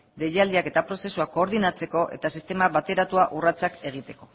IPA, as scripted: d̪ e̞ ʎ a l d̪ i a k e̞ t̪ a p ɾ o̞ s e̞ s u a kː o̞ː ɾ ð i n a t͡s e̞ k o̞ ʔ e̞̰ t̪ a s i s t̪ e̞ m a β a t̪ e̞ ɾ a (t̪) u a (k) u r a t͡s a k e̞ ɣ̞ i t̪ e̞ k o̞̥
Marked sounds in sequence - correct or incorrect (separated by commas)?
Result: correct, incorrect